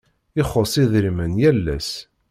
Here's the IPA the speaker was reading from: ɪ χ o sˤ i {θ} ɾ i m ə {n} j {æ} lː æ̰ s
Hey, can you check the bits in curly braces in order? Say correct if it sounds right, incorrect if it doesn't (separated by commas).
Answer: incorrect, correct, correct